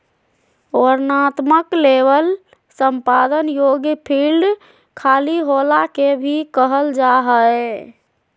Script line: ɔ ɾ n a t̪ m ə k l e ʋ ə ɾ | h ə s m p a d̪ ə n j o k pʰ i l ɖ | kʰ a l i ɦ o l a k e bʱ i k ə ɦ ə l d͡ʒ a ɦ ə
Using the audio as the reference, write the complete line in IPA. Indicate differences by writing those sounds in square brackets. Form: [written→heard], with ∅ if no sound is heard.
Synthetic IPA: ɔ ɾ n a t̪ m ə k l e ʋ ə [ɾ→l] | [h→s] ə [s→∅] m p a d̪ ə n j o [k→ɡ] pʰ i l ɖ | kʰ a l i ɦ o l a k e bʱ i k ə ɦ ə l d͡ʒ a ɦ ə